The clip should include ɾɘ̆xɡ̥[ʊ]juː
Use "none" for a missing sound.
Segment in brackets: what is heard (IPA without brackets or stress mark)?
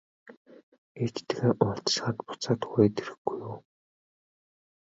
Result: u